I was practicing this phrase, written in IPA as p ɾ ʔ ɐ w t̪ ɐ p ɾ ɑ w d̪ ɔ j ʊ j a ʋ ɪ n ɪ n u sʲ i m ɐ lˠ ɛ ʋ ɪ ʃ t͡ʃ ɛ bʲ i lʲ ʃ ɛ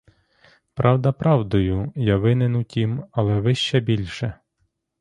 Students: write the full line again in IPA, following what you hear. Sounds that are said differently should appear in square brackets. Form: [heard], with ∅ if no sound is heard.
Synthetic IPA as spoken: p ɾ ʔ [ɑ] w [d̪] ɐ p ɾ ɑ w d̪ ɔ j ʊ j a ʋ ɪ n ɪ n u [tʲ] i m ɐ lˠ ɛ ʋ ɪ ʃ t͡ʃ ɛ bʲ i lʲ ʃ ɛ